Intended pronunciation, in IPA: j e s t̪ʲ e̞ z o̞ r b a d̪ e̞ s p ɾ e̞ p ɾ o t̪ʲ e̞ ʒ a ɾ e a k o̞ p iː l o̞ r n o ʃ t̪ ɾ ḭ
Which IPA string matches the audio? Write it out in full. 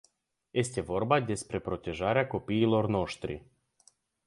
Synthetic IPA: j e s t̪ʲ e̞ v o̞ r b a d̪ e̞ s p ɾ e̞ p ɾ o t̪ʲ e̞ ʒ a ɾ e a k o̞ p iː l o̞ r n o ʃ t̪ ɾ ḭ

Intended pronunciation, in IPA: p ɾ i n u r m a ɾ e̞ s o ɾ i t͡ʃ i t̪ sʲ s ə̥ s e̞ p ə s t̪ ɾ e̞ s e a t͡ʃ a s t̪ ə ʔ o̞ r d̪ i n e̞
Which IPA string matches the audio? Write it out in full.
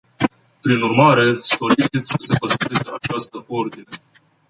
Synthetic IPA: p ɾ i n u r m a ɾ e̞ s o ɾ i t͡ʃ i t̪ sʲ s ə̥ s e̞ p ə s t̪ ɾ e̞ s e a t͡ʃ a s t̪ ə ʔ o̞ r d̪ i n e̞

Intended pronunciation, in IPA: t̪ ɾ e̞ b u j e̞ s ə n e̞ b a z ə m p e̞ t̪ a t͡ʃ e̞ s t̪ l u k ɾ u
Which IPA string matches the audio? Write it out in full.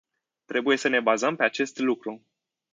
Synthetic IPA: t̪ ɾ e̞ b u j e̞ s ə n e̞ b a z ə m p e̞ a t͡ʃ e̞ s t̪ l u k ɾ u

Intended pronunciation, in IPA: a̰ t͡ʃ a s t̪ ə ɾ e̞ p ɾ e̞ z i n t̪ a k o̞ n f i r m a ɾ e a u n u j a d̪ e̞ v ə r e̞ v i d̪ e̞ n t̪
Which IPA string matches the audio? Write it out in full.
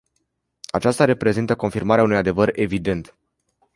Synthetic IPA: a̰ t͡ʃ a s t̪ a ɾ e̞ p ɾ e̞ z i n t̪ ə k o̞ n f i r m a ɾ e a u n u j a d̪ e̞ v ə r e̞ v i d̪ e̞ n t̪

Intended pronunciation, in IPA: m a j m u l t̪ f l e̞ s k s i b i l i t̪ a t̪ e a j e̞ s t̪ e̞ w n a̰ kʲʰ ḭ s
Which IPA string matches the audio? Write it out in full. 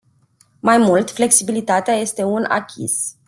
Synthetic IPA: m a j m u l t̪ f l e̞ k s i b i l i t̪ a t̪ e a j e̞ s t̪ e̞ u n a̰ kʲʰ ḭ s

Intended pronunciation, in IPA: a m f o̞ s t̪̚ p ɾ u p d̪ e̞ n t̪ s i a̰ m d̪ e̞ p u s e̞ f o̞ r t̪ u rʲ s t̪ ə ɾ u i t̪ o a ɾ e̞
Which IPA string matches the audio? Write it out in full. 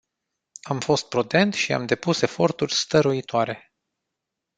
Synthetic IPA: a m f o̞ s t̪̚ p ɾ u d̪ e̞ n t̪ ʃ i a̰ m d̪ e̞ p u s e̞ f o̞ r t̪ u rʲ s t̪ ə ɾ u i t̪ o a ɾ e̞

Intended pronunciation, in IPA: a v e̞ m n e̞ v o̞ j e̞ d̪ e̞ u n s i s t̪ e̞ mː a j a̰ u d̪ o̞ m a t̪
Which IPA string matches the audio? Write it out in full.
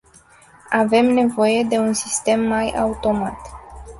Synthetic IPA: a v e̞ m n e̞ v o̞ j e̞ d̪ e̞ u n s i s t̪ e̞ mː a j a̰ u t̪ o̞ m a t̪

